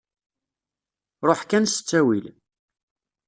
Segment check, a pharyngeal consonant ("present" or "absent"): present